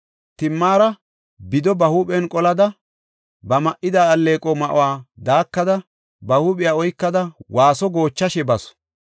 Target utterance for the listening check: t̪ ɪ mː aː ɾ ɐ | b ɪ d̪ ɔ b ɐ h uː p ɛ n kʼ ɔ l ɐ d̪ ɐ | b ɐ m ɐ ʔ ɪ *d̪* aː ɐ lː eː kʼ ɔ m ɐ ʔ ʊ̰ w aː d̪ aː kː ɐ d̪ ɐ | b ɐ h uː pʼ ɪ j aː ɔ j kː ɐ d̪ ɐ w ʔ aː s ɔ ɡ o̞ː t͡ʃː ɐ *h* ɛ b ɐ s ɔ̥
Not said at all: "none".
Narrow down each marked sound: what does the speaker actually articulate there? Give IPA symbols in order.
d̪, ʃ

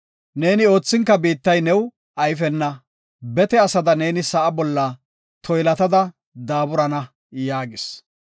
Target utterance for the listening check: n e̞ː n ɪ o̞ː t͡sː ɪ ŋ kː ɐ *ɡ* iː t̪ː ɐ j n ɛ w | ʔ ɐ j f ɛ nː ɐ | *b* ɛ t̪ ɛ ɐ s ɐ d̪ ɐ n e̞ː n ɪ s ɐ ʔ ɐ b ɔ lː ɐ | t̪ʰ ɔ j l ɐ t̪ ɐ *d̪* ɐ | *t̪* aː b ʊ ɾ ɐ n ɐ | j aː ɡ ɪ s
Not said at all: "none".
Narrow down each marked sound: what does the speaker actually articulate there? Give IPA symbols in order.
b, b, d̪, d̪

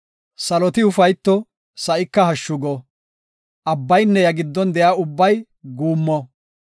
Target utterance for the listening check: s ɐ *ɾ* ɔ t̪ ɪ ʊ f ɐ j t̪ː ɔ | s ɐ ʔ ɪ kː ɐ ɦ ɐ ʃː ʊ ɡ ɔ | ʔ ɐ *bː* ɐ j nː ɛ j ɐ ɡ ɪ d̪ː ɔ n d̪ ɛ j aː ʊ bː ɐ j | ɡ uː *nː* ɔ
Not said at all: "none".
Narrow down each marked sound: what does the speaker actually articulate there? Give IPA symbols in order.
l, bː, mː

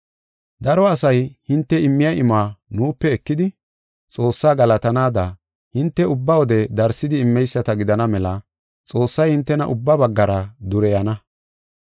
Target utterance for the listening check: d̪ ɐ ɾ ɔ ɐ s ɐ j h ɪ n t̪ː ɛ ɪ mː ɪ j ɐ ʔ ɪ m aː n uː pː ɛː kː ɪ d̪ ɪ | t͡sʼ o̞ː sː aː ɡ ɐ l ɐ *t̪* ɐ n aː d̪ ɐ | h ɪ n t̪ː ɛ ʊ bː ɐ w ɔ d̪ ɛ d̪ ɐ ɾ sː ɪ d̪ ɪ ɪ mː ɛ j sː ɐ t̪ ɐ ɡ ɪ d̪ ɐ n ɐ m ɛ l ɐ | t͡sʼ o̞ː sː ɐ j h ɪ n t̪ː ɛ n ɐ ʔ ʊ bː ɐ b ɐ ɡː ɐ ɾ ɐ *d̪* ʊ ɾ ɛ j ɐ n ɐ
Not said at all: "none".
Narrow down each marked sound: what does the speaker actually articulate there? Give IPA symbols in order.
t̪, d̪

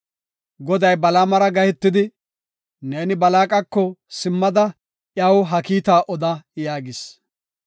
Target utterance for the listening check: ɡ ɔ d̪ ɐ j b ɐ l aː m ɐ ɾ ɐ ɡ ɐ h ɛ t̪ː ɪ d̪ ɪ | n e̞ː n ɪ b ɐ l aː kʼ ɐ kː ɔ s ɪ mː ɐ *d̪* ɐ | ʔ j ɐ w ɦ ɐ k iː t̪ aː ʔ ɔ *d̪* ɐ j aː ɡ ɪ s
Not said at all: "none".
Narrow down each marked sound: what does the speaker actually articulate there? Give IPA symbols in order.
d̪, d̪

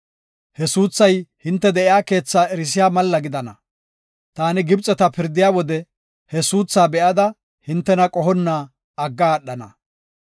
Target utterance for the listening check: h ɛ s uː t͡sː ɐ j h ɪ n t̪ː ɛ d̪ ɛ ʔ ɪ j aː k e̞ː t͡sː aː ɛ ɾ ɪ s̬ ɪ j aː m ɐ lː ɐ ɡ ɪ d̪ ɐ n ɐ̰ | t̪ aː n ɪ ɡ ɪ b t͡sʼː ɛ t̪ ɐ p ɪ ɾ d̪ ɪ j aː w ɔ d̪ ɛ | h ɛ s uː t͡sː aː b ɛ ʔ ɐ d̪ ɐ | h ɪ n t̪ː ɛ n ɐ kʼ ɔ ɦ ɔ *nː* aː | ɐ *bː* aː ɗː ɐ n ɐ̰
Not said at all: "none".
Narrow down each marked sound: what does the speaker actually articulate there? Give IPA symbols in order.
nː, ɡː

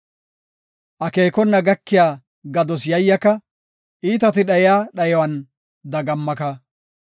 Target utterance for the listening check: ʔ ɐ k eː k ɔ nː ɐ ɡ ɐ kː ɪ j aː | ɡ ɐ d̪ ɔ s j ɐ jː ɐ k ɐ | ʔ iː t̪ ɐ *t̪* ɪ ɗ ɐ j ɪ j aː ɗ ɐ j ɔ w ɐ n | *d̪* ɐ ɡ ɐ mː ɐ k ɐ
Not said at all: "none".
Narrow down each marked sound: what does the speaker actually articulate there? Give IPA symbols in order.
t̪, d̪

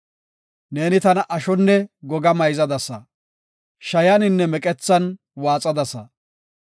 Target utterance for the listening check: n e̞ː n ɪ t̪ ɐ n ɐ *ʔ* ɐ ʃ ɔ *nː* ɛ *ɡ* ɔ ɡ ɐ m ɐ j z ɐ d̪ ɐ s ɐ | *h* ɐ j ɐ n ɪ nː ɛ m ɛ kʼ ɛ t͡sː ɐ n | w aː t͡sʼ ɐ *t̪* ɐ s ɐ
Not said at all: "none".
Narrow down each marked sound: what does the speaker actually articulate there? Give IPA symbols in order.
ʔ, nː, ɡ, ʃ, d̪

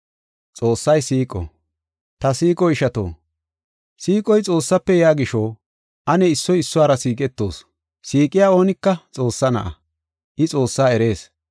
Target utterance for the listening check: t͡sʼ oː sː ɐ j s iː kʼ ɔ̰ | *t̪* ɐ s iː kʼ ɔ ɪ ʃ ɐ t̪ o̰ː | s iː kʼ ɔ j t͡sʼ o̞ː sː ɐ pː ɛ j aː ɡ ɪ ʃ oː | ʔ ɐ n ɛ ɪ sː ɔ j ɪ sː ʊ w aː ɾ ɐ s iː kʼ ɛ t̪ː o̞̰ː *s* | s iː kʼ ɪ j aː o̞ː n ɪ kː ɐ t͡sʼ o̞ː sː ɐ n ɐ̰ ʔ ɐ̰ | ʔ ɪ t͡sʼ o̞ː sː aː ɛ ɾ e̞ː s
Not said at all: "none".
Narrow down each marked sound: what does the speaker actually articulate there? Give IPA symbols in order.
t̪, s

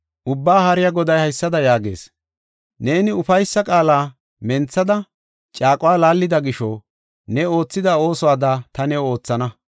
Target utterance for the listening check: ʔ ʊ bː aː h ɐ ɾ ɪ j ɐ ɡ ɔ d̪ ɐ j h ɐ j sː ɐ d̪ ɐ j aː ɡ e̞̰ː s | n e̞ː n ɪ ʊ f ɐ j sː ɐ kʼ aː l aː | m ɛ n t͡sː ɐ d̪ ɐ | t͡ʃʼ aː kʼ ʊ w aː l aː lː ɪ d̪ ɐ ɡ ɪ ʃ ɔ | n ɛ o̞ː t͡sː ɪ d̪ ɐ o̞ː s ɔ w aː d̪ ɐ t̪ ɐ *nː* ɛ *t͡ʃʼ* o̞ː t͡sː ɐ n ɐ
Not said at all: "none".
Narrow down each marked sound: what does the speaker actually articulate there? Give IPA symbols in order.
n, none

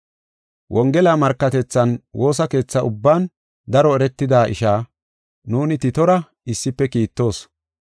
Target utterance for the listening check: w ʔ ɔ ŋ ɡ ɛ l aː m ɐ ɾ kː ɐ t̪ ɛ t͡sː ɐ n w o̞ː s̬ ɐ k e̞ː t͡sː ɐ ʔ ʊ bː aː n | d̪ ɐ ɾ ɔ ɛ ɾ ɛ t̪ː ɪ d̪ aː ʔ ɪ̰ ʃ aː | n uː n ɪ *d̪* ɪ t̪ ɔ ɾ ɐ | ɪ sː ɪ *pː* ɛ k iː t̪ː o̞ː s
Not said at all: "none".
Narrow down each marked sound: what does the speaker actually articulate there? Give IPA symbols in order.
t̪, pː

